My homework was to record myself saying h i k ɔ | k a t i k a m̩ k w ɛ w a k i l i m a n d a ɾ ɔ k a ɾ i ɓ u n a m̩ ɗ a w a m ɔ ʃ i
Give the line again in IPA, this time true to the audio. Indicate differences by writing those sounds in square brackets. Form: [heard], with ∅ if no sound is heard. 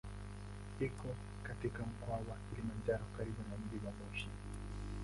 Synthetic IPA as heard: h i k ɔ | k a t i k a m̩ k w [a] w a k i l i m a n [d͡ʒ] a ɾ ɔ k a ɾ i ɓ u n a m̩ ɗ [i] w a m ɔ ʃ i

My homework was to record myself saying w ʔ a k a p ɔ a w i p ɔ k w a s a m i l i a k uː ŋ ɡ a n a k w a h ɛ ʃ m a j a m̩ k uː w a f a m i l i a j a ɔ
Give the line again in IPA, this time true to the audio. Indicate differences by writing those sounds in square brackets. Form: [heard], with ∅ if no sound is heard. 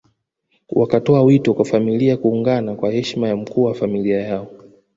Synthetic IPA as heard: w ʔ a k a [t] ɔ a w i [t] ɔ k w a [f] a m i l i a k uː ŋ ɡ a n a k w a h ɛ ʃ m a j a m̩ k uː w a f a m i l i a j a ɔ

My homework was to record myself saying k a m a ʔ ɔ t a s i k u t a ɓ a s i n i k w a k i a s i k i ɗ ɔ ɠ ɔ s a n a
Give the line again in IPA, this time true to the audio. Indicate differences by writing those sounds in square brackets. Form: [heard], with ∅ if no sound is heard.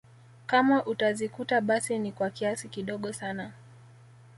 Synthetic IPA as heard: k a m a ʔ [u] t a [z] i k u t a ɓ a s i n i k w a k i a s i k i ɗ ɔ ɠ ɔ s a n a

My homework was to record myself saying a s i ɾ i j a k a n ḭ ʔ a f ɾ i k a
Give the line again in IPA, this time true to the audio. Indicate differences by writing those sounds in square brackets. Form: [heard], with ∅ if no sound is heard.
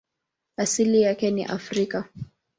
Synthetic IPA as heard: a s i [l] i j a k [ɛ] n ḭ ʔ a f ɾ i k a

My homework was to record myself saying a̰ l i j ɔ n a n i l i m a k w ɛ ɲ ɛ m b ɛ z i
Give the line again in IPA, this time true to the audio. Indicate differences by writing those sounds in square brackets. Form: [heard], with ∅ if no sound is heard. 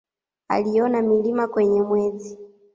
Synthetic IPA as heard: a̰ l i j ɔ n a [m] i l i m a k w ɛ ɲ ɛ m [w] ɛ z i

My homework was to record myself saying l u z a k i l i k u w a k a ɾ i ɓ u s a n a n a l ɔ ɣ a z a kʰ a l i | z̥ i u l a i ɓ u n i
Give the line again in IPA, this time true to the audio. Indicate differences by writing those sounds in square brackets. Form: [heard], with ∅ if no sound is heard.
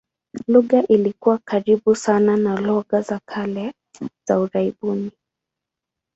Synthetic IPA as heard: l u [ɣ] a [ʔ] i l i k u w a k a ɾ i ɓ u s a n a n a l ɔ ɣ a z a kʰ a l [ɛ] | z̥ [a] u [ɾ] a i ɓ u n i

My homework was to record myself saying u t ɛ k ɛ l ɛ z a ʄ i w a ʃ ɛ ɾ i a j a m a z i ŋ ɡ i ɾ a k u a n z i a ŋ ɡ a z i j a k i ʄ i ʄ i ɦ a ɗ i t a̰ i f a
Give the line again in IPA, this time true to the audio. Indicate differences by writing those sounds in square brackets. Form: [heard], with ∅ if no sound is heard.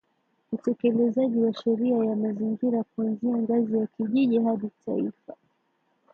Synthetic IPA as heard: u t ɛ k ɛ l ɛ z a ʄ i w a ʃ ɛ ɾ i a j a m a z i ŋ ɡ i ɾ a k u a n z i a ŋ ɡ a z i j a k i ʄ i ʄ i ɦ a ɗ i t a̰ i f a

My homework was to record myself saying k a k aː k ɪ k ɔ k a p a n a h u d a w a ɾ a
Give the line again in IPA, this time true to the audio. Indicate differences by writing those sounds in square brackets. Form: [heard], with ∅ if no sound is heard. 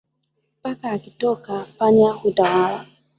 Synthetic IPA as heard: [p] a k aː k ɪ [t] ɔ k a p a [ɲ] a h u d a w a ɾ a

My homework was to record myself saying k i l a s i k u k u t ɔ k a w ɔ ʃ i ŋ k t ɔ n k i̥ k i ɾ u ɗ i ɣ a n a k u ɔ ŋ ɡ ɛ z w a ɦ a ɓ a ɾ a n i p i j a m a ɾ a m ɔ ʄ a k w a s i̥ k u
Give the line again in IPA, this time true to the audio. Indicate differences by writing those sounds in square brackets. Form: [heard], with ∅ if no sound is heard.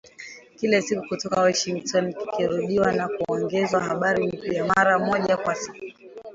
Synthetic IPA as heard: k i l a s i k u k u t ɔ k a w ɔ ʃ i ŋ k t ɔ n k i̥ k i ɾ u ɗ i [w] a n a k u ɔ ŋ ɡ ɛ z w a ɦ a ɓ a ɾ [i] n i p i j a m a ɾ a m ɔ ʄ a k w a s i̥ k u

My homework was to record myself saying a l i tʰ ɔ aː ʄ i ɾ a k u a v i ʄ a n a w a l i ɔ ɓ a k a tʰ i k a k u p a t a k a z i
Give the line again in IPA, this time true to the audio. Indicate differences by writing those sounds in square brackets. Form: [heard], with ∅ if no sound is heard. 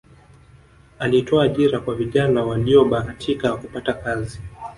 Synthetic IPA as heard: a l i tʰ ɔ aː ʄ i ɾ a k [w] a v i ʄ a n a w a l i ɔ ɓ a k a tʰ i k a k u p a t a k a z i

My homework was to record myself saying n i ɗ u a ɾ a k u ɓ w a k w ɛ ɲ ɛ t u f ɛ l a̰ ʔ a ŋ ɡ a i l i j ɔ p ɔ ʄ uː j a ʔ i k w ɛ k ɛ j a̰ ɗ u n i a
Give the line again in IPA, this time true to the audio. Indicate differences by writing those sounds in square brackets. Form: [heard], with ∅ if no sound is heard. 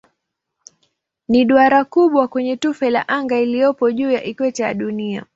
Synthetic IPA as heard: n i ɗ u a ɾ a k u ɓ w a k w ɛ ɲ ɛ t u f ɛ l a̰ ʔ a ŋ ɡ a i l i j ɔ p ɔ ʄ uː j a ʔ i k w ɛ [t] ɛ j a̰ ɗ u n i a

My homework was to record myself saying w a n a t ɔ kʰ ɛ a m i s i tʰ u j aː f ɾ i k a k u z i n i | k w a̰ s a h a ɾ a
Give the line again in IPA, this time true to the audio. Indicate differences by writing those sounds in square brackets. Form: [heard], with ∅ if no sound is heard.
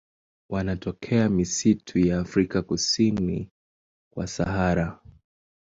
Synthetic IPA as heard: w a n a t ɔ kʰ ɛ a m i s i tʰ u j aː f ɾ i k a k u [s] i n i | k w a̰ s a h a ɾ a

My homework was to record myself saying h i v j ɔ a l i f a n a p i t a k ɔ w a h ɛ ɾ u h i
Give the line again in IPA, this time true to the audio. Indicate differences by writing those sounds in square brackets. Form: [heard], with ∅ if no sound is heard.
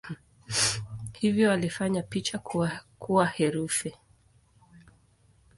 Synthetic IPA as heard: h i v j ɔ a l i f a [ɲ] a p i [t͡ʃ] a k [u] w a h ɛ ɾ u [f] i

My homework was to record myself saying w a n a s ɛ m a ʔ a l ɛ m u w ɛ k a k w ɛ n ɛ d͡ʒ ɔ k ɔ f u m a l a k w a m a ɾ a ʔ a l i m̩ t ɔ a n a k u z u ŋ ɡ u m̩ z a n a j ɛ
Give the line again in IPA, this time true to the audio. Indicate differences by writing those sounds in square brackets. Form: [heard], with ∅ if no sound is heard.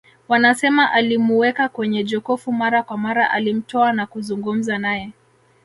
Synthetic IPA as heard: w a n a s ɛ m a ʔ a l [i] m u w ɛ k a k w ɛ [ɲ] ɛ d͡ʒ ɔ k ɔ f u m a [ɾ] a k w a m a ɾ a ʔ a l i m̩ t ɔ a n a k u z u ŋ ɡ u m̩ z a n a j ɛ

